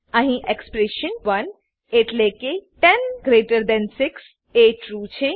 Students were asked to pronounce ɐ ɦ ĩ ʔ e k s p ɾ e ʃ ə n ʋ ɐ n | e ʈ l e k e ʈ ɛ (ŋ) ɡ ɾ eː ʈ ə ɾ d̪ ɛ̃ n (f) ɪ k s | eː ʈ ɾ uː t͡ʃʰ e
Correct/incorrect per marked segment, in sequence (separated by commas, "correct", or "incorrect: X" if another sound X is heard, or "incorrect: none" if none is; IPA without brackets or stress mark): incorrect: n, incorrect: s